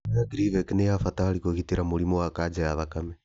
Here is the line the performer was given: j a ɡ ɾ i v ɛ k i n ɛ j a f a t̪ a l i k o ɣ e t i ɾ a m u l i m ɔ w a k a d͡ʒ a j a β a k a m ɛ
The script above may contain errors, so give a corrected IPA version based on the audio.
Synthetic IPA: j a ɡ ɾ i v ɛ k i n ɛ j a f a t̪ a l i k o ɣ i t i ɾ a m u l i m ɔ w a k a d͡ʒ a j a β a k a m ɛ